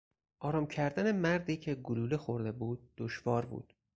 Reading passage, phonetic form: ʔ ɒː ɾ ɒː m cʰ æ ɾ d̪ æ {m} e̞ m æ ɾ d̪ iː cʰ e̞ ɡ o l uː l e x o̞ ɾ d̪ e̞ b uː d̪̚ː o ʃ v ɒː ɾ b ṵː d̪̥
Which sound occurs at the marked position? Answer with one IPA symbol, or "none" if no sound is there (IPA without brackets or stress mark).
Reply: n